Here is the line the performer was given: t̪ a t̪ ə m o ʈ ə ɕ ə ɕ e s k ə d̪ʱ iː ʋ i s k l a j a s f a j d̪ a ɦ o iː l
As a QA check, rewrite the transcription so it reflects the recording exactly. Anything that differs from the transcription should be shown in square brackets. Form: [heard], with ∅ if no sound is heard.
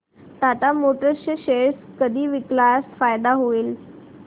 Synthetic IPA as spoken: t̪ a t̪ [a] m o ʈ ə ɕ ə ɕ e s k ə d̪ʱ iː ʋ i [∅] k l a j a s f a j d̪ a ɦ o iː l